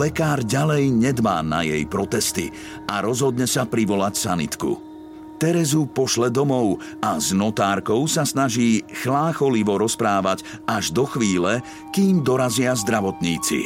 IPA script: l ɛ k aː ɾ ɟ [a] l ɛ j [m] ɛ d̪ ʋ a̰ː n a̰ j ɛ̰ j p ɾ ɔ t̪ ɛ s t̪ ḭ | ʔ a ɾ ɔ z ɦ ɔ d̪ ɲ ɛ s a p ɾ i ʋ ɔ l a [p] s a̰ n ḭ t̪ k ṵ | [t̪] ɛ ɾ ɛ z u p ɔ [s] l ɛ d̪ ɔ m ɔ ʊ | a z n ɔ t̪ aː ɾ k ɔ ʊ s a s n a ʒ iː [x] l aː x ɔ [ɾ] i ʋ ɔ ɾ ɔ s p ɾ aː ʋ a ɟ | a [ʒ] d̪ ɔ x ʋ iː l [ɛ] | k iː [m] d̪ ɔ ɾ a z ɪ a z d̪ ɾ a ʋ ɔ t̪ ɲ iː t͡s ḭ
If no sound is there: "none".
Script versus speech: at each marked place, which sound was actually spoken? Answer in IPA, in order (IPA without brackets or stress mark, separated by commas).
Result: a, ɲ, c, t̪, ʃ, x, l, ʒ, ɛ, m